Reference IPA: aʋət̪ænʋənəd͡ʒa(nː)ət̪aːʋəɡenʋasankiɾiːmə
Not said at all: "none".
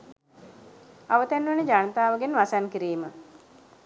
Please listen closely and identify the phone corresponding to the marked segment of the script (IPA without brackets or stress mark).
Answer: n